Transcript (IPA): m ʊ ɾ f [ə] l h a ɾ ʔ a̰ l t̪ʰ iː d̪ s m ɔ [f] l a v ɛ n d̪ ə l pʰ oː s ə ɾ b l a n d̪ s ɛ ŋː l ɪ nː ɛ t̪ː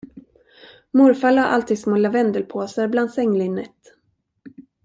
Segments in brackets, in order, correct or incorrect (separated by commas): incorrect, incorrect